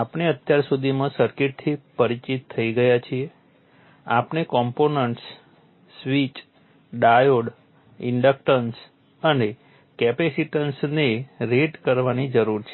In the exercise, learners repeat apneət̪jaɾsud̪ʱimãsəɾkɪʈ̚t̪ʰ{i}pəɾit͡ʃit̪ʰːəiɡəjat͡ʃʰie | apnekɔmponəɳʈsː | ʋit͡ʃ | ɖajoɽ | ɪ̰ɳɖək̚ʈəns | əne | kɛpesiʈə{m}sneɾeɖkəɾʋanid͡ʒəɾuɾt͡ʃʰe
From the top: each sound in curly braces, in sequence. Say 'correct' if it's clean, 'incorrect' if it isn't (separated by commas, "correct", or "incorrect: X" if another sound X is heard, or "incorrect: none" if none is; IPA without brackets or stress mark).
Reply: correct, incorrect: n